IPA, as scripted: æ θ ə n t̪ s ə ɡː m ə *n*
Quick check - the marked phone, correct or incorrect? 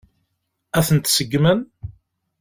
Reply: correct